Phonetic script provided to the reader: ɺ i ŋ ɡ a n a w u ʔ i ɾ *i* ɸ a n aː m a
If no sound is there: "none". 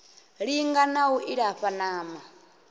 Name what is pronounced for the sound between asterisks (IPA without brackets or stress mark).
a